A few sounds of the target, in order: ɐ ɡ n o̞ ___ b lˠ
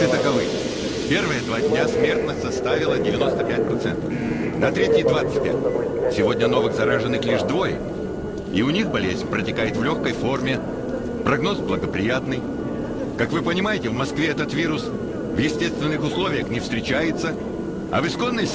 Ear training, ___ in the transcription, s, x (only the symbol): s